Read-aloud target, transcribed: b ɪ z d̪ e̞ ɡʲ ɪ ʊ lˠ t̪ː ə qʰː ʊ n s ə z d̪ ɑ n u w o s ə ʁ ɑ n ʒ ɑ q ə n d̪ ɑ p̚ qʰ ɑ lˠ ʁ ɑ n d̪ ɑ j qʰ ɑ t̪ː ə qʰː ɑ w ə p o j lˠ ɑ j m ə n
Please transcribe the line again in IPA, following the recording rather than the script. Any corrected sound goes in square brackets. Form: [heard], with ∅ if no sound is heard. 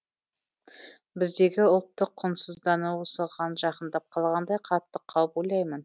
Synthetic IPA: b ɪ z d̪ e̞ ɡʲ ɪ ʊ lˠ t̪ː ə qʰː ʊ n s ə z d̪ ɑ n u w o s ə ʁ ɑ n ʒ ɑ q ə n d̪ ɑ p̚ qʰ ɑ lˠ ʁ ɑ n d̪ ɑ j qʰ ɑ t̪ː ə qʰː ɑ w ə p o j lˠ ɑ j m ə n